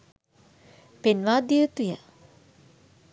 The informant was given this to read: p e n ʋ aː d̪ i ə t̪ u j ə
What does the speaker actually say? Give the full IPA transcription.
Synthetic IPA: p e n ʋ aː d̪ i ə t̪ u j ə